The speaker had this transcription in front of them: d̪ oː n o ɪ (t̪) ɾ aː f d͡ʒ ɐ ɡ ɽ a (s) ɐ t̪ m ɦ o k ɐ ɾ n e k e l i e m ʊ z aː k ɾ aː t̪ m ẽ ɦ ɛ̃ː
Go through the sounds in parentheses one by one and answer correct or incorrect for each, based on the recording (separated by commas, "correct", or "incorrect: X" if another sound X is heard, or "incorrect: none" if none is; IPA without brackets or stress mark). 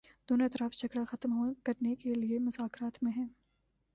correct, incorrect: x